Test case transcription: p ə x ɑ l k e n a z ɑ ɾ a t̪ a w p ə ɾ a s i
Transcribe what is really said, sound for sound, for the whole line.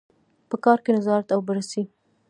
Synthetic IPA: p ə k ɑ ɾ k e n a z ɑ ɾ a t̪ a w b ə ɾ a s i